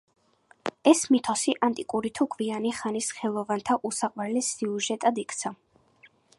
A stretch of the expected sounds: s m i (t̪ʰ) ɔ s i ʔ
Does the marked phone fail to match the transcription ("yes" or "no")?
no